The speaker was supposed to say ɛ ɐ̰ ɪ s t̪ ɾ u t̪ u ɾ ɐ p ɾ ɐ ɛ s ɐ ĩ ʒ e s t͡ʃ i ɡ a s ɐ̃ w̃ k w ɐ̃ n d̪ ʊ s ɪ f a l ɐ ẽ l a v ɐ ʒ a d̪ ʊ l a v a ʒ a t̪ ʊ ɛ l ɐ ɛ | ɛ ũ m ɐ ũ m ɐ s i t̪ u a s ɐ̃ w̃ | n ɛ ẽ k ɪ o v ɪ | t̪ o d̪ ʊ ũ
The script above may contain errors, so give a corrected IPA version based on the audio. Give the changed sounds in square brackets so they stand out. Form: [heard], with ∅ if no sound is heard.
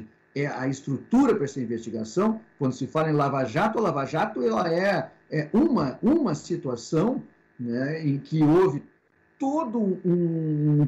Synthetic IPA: ɛ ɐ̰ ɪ s t̪ ɾ u t̪ u ɾ ɐ p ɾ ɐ ɛ s ɐ ĩ [v] e s t͡ʃ i ɡ a s ɐ̃ w̃ k w ɐ̃ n d̪ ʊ s ɪ f a l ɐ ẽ l a v [a] ʒ a [t̪] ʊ l a v a ʒ a t̪ ʊ ɛ l ɐ ɛ | ɛ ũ m ɐ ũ m ɐ s i t̪ u a s ɐ̃ w̃ | n ɛ ẽ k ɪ o v ɪ | t̪ o d̪ ʊ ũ